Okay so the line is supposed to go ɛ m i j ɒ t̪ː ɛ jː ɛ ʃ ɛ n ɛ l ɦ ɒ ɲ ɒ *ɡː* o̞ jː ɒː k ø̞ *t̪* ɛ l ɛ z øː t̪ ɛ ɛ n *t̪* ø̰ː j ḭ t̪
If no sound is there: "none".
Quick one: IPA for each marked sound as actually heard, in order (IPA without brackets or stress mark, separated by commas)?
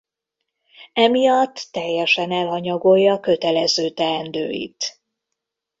ɡ, t̪, d̪